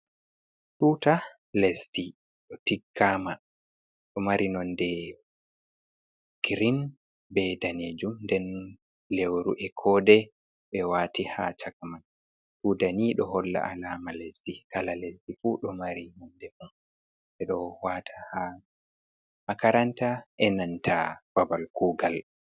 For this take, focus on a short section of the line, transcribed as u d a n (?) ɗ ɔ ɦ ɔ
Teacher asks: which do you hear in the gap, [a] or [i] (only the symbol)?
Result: i